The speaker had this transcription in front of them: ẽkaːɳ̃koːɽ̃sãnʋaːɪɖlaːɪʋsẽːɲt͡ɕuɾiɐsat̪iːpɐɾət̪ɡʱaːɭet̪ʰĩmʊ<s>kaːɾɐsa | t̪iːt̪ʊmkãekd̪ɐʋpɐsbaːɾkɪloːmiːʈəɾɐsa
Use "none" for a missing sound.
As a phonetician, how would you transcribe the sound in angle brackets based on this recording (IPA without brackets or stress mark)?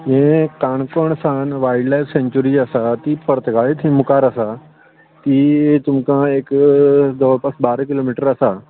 none